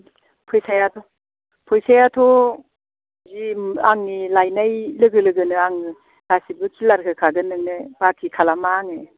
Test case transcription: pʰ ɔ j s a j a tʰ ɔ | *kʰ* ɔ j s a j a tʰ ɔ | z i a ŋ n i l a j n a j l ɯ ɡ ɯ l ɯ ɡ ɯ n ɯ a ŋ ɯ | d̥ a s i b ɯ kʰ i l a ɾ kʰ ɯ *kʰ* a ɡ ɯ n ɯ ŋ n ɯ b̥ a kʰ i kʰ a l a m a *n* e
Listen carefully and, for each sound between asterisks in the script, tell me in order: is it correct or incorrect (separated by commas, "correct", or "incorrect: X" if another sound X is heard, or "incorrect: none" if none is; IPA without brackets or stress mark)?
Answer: incorrect: pʰ, correct, incorrect: ŋ